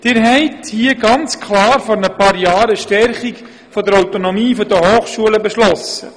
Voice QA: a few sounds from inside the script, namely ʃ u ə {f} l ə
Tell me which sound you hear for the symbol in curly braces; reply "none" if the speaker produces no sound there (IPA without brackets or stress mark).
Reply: none